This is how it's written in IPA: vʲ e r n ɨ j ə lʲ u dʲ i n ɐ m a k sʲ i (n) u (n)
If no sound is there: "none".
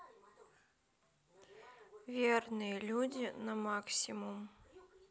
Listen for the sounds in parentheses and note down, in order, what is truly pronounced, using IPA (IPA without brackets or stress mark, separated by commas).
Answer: m, m